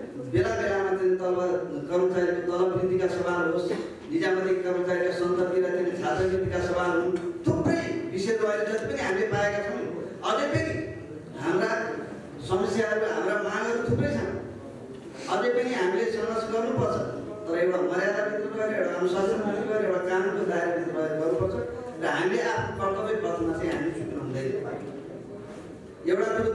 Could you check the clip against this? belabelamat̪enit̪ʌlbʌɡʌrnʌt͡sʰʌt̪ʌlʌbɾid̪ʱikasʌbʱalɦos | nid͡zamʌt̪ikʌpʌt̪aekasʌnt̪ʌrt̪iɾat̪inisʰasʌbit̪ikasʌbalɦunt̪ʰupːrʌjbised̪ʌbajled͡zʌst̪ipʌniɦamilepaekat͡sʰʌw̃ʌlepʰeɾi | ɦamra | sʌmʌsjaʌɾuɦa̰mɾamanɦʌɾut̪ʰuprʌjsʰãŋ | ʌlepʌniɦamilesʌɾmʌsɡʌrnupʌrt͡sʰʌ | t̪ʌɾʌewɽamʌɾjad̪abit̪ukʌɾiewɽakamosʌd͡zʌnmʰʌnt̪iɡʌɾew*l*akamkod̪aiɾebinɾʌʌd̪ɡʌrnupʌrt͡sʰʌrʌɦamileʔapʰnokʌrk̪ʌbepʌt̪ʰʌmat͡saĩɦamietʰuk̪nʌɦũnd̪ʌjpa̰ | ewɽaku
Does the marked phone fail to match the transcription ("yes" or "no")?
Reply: yes